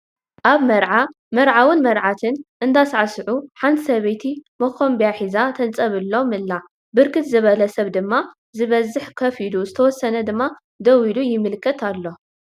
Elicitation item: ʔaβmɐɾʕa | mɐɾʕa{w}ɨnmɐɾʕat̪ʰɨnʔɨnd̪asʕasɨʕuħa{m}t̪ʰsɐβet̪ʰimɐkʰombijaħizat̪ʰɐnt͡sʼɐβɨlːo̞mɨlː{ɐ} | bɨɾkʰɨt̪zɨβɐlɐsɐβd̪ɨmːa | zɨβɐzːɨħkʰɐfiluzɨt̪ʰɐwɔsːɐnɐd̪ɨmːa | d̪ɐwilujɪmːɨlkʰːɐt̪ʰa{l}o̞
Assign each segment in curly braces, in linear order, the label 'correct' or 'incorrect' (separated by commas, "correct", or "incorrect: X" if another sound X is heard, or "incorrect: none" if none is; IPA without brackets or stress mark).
correct, incorrect: n, incorrect: a, incorrect: lː